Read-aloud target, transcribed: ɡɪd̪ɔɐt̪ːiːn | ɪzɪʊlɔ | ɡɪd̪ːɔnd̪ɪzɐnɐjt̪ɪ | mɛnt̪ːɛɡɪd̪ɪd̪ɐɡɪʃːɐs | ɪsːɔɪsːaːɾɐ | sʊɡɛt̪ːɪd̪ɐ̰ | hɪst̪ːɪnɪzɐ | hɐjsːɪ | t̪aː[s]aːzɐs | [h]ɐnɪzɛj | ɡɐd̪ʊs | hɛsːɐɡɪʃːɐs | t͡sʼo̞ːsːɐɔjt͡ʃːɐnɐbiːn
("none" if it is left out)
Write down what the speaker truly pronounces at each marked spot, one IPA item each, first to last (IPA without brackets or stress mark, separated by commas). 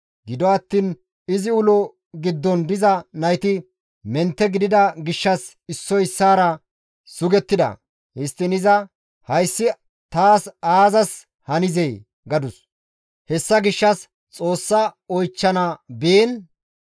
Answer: s, h